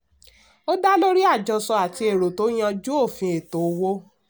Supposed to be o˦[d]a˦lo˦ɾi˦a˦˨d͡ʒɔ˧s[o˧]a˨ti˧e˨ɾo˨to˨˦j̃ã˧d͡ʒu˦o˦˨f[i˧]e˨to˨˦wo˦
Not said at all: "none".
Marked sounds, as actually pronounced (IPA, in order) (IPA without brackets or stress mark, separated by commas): d, ɔ˧, ĩ˧